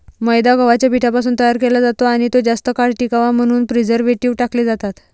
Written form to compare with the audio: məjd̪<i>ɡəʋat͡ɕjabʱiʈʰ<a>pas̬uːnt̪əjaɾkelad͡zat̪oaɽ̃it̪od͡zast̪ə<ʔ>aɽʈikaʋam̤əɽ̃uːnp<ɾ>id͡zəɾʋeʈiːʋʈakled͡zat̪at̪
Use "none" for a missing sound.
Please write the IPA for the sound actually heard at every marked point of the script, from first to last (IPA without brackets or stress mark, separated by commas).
a, a, k, ɾ